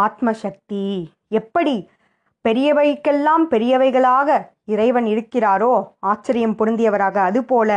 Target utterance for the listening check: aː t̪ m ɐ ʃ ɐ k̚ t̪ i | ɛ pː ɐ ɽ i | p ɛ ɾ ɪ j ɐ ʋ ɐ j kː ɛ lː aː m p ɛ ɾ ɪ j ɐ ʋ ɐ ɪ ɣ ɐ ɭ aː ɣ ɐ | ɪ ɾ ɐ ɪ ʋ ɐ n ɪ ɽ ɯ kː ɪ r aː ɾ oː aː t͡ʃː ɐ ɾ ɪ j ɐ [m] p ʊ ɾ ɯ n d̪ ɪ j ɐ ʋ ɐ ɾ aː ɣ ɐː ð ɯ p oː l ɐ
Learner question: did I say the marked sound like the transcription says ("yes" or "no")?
yes